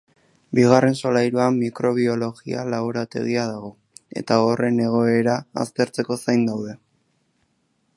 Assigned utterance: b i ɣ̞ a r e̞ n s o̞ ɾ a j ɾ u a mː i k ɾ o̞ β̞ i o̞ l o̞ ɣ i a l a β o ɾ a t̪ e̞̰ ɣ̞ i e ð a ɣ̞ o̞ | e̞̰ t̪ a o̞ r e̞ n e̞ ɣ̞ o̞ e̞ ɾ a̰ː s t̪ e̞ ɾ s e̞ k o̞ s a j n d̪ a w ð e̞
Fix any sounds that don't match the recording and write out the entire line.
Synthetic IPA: b i ɣ̞ a r e̞ n s o̞ l a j ɾ u a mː i k ɾ o̞ β̞ i o̞ l o̞ ɣ i a l a β o ɾ a t̪ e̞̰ ɣ̞ i a ð a ɣ̞ o̞ | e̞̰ t̪ a o̞ r e̞ n e̞ ɣ̞ o̞ e̞ ɾ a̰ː s t̪ e̞ ɾ t͡s e̞ k o̞ s a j n d̪ a w ð e̞

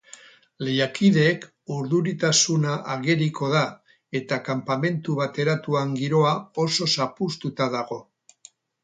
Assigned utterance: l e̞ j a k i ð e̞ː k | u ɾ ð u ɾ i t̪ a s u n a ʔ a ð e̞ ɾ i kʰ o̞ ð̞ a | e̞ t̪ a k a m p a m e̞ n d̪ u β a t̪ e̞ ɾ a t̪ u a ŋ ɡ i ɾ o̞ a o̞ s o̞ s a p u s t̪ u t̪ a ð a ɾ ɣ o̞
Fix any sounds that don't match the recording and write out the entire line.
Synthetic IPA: l e̞ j a k i ð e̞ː k | u ɾ ð u ɾ i t̪ a s u n a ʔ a ɣ e̞ ɾ i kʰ o̞ ð̞ a | e̞ t̪ a k a m p a m e̞ n t̪ u β a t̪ e̞ ɾ a t̪ u a ŋ ɡ i ɾ o̞ a o̞ s o̞ s a p u s t̪ u t̪ a ð a ɣ o̞

